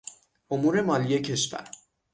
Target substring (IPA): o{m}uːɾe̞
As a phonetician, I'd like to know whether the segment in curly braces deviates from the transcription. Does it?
no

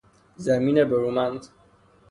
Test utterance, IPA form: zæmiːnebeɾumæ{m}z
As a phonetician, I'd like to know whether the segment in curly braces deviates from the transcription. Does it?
yes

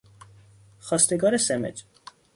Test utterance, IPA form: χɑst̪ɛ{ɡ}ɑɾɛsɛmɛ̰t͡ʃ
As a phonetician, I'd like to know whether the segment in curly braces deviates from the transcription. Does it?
no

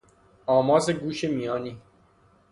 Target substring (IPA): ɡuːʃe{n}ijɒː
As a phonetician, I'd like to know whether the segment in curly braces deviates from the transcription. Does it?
yes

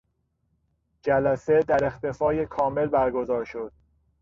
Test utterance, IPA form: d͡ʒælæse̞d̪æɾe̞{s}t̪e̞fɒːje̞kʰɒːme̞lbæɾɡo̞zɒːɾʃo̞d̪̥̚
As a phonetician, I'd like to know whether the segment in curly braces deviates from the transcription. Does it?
yes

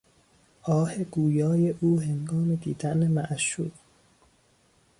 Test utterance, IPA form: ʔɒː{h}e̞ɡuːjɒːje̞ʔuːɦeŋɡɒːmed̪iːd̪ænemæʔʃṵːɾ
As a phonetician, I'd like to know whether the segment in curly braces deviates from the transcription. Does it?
no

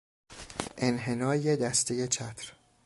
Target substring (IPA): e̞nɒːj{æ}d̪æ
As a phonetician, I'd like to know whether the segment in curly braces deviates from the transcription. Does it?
yes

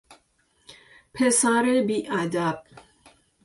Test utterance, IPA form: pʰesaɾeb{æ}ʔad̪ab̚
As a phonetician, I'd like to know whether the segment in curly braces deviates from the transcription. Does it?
yes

